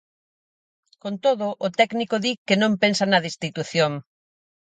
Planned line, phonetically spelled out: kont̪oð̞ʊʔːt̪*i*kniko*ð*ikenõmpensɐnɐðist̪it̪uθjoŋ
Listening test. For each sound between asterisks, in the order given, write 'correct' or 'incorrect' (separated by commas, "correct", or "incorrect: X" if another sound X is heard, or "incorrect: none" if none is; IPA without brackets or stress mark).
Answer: incorrect: ɛ, correct